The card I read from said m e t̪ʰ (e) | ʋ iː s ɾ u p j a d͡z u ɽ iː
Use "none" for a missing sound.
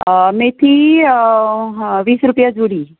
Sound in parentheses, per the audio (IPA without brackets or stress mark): i